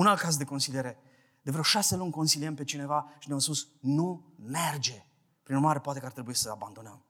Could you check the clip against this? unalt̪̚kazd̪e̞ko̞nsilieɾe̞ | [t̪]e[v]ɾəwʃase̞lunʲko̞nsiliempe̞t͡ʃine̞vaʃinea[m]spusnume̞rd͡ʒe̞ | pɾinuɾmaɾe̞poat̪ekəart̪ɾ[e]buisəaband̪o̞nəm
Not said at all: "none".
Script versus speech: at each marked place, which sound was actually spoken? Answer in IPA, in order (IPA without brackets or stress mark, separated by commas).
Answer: d̪, v, m, e